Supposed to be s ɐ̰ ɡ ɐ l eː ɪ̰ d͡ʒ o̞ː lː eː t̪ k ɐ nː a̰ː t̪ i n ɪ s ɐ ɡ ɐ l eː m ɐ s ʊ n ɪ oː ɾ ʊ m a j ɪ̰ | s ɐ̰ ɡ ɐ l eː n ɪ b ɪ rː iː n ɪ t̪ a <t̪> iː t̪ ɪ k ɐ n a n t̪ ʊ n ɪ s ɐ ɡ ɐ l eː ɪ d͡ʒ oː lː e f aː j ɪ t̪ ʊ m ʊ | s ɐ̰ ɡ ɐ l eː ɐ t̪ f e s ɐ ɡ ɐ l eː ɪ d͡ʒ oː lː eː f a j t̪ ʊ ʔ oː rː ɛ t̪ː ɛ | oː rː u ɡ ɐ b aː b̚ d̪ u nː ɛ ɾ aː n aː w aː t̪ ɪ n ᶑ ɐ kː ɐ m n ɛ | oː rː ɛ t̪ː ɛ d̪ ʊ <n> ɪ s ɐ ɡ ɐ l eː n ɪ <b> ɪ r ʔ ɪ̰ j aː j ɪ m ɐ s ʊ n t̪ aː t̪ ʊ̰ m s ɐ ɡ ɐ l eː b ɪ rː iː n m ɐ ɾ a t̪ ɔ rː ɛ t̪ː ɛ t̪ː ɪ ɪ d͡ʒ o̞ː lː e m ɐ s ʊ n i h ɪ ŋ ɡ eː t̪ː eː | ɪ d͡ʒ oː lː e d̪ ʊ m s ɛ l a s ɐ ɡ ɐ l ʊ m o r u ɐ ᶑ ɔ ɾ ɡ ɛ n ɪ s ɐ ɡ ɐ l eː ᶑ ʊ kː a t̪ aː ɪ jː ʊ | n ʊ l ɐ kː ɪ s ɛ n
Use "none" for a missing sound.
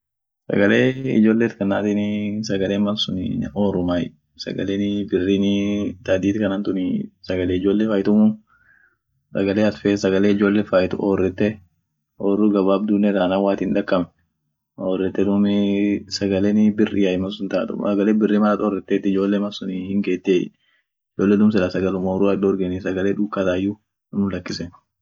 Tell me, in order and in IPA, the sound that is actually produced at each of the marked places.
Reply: d̪, m, b

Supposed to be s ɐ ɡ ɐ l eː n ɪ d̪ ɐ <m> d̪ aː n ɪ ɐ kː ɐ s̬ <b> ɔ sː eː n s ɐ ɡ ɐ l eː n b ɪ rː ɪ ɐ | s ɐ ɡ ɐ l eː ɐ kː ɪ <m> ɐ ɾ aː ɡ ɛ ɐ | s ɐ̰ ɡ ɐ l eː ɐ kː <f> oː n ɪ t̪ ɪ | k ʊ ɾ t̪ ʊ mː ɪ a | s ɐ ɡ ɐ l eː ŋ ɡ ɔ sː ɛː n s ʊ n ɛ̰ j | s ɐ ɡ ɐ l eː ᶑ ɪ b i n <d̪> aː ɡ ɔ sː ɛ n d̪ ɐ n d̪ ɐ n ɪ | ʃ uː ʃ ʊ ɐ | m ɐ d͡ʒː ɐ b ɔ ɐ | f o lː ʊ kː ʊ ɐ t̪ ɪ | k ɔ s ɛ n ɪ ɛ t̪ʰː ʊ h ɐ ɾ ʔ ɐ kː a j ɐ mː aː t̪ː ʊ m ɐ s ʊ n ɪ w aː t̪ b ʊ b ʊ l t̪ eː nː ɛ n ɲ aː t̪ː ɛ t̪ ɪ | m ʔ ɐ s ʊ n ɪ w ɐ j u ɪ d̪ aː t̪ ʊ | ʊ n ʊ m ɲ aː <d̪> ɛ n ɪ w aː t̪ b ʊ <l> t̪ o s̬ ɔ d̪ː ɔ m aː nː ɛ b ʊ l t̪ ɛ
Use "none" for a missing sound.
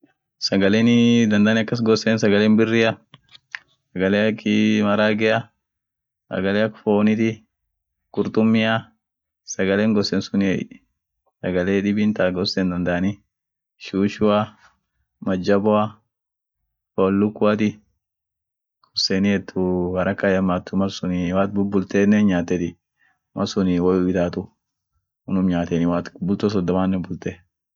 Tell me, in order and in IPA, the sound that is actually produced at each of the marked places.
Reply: n, ɡ, m, f, t̪, t̪, l

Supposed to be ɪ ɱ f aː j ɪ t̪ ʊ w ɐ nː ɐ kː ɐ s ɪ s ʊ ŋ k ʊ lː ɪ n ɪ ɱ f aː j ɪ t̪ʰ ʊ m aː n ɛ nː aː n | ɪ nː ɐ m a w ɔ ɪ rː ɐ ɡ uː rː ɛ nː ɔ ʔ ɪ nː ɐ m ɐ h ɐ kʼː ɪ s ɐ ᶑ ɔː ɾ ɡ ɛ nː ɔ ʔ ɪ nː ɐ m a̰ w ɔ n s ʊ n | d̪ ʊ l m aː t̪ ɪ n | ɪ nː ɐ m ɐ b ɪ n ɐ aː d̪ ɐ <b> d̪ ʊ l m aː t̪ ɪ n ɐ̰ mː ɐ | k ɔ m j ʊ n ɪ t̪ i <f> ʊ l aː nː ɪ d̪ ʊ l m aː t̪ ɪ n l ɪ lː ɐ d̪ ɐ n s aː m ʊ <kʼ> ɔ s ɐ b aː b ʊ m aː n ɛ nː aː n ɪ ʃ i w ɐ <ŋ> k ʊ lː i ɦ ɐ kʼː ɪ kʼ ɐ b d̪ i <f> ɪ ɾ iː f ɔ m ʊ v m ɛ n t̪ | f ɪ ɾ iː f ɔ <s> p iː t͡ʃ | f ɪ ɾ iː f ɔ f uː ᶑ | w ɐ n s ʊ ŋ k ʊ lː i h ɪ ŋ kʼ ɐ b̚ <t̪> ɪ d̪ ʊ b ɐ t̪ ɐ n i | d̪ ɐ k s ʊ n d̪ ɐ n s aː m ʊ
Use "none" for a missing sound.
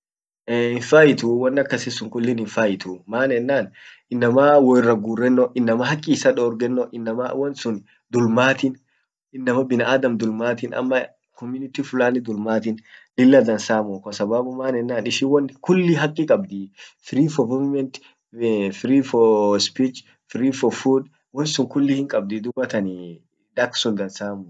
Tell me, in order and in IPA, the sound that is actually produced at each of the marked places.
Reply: m, f, k, n, f, s, d̪

